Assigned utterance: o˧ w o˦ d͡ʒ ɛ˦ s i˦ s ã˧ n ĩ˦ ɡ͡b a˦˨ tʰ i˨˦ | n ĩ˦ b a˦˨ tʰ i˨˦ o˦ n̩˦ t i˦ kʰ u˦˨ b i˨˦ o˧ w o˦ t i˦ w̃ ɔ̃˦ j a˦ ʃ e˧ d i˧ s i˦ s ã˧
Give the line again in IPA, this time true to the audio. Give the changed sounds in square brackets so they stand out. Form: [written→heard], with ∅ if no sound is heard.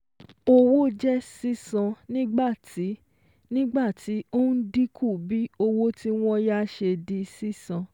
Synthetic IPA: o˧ w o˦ d͡ʒ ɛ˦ s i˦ s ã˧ n ĩ˦ ɡ͡b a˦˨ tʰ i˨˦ | n ĩ˦ [b→ɡ͡b] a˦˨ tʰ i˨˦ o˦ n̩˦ [t→d] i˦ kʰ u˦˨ b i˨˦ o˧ w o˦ t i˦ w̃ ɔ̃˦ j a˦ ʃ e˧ d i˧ s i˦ s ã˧

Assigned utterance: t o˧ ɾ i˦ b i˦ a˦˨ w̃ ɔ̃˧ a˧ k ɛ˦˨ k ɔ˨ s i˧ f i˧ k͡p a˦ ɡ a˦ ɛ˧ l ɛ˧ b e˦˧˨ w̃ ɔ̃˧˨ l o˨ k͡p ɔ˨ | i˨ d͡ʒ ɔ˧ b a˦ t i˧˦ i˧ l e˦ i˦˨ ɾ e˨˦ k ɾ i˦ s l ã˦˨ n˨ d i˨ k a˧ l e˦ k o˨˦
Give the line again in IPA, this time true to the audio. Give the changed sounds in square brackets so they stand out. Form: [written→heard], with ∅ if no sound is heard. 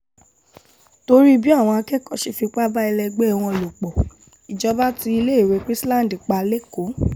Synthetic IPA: t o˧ ɾ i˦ b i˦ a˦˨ w̃ ɔ̃˧ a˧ k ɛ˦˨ k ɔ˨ [s→ʃ] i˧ f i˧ k͡p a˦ [ɡ→b] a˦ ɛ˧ l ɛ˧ [b→ɡ͡b] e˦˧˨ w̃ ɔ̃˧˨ l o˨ k͡p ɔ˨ | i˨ d͡ʒ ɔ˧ b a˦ t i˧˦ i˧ l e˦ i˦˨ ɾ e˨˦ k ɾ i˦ s l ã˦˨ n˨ d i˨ [k→k͡p] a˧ l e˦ k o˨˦

